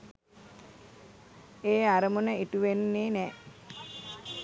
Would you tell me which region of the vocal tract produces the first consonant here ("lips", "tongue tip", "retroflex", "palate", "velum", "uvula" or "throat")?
tongue tip